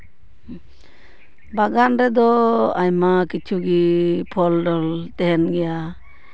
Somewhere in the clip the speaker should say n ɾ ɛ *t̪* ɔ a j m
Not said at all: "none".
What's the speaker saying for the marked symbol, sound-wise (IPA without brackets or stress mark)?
d̪